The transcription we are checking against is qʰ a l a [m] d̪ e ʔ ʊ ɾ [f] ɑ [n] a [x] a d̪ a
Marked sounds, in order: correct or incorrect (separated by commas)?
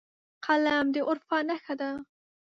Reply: correct, correct, correct, correct